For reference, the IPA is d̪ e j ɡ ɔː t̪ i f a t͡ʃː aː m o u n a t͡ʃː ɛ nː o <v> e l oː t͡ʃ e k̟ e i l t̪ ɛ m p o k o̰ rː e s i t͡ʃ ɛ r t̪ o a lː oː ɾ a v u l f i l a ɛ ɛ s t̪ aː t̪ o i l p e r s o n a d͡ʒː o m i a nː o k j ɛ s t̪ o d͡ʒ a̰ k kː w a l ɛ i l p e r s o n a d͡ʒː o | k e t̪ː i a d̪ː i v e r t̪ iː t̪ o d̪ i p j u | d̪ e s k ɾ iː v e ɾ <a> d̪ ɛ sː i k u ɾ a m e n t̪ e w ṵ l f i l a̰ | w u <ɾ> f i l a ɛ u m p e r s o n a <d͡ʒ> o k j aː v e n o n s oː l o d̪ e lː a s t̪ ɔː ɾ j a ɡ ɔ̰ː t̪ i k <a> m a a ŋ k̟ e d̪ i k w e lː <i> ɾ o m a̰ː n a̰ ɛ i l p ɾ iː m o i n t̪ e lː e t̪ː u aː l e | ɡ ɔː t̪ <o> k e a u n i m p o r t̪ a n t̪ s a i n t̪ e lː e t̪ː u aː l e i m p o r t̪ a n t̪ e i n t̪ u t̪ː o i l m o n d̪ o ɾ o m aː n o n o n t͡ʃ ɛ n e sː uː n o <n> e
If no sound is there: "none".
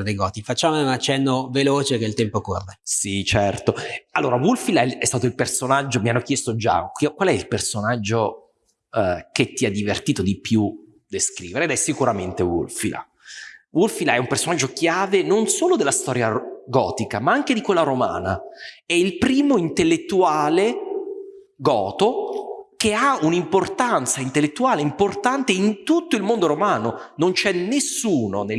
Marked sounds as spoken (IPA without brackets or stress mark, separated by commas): v, e, l, d͡ʒː, a, a, o, n